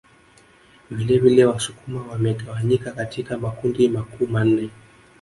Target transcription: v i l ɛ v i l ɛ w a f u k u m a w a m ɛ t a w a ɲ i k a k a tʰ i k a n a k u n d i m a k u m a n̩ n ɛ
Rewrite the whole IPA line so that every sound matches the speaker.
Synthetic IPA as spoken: v i l ɛ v i l ɛ w a s u k u m a w a m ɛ t a w a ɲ i k a k a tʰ i k a m a k u n d i m a k u m a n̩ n ɛ

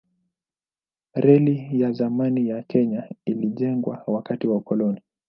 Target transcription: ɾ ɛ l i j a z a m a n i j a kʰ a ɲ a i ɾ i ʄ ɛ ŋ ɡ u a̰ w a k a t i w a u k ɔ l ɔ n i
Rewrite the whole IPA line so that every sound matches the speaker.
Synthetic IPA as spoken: ɾ ɛ l i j a z a m a n i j a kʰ ɛ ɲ a i l i ʄ ɛ ŋ ɡ w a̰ w a k a t i w a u k ɔ l ɔ n i

